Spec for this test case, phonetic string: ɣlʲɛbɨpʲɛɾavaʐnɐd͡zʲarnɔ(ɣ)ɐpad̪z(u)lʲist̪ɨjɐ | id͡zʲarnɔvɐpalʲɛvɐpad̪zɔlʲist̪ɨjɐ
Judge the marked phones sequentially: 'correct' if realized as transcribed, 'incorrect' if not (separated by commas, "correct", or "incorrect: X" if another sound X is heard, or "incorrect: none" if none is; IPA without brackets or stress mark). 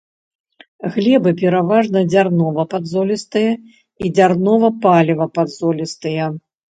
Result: incorrect: v, incorrect: ɔ